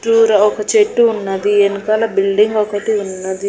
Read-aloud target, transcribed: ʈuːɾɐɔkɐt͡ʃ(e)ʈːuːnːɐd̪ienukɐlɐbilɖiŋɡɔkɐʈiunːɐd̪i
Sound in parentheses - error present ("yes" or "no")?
no